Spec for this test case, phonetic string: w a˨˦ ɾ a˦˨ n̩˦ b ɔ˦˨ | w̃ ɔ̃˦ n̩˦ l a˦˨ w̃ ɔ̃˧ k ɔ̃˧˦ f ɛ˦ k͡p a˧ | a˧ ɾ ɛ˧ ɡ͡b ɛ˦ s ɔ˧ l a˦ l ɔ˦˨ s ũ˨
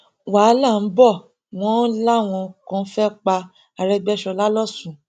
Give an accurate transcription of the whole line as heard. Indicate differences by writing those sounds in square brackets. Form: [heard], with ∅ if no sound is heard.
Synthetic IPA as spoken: w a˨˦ [l] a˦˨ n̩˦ b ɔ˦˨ | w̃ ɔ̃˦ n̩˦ l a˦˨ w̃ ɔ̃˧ k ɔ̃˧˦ f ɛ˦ k͡p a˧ | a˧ ɾ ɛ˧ ɡ͡b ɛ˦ [ʃ] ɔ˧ l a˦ l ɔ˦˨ s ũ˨